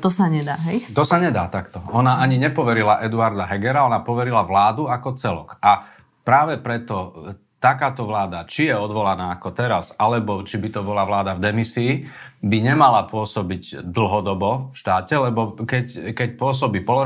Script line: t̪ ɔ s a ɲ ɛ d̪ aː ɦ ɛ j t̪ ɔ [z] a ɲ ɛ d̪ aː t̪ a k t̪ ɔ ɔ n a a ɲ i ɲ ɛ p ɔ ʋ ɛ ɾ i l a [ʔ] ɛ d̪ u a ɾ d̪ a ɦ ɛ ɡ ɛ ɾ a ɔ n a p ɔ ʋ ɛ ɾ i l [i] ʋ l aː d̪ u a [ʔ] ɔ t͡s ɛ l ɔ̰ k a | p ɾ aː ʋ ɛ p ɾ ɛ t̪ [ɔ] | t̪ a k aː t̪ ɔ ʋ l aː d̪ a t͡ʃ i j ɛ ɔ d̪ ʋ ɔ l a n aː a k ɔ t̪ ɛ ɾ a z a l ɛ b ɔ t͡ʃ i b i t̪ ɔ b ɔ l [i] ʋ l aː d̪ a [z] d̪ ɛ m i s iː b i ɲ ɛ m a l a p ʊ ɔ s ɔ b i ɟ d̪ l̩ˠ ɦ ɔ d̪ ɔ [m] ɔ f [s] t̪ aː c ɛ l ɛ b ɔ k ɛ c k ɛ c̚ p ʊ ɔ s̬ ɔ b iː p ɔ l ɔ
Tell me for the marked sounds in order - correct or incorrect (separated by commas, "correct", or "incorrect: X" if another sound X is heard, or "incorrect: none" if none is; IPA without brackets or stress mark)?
incorrect: s, correct, incorrect: a, incorrect: k, correct, incorrect: a, incorrect: v, incorrect: b, incorrect: ʃ